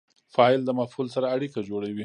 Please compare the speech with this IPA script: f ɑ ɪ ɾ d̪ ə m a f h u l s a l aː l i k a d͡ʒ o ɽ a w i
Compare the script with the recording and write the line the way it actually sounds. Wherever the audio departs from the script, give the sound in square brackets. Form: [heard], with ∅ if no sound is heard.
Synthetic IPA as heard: f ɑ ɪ [l] d̪ ə m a f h u l s a [ɾ] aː [ɽ] i k a d͡ʒ o ɽ a w i

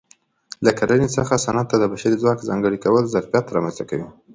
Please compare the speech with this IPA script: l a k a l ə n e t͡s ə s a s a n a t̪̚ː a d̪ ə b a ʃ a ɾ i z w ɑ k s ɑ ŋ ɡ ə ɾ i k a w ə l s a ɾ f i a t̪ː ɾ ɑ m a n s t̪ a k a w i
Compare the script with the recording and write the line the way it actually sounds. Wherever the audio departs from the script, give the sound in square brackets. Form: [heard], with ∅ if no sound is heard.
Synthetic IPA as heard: l a k a l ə n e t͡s ə [x] a s a n a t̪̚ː a d̪ ə b a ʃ a ɾ i z w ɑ k [z] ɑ ŋ ɡ ə [ɽ] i k a w ə l [z] a ɾ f [j] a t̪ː ɾ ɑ m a n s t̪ a k a w i

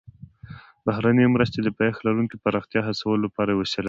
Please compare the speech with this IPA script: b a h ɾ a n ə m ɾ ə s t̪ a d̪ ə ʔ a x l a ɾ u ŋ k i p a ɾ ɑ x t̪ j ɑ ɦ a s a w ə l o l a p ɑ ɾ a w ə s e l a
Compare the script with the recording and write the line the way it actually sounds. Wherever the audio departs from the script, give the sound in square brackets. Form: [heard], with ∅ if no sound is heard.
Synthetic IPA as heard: b a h ɾ a n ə m ɾ ə s t̪ [e] d̪ ə [p] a x l a ɾ u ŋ k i p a ɾ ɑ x t̪ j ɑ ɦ a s a w ə l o l a p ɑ ɾ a w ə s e l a

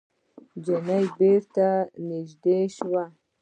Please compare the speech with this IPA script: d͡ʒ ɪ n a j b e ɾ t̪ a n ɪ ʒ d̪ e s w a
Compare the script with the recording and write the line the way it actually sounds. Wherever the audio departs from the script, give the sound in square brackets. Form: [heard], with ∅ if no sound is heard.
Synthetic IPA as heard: d͡ʒ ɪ n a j b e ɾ t̪ a n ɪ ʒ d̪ e [ʃ] w a

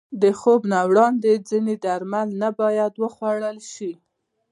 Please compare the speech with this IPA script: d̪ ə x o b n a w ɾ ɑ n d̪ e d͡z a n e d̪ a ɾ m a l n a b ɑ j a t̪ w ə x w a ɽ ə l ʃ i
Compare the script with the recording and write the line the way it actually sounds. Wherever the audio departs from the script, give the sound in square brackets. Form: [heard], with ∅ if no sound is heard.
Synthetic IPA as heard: d̪ ə x o b n a w [ɽ] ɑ n d̪ e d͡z [i] n e d̪ a ɾ m a l n a b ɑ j a [d̪] w ə x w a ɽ ə l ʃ i

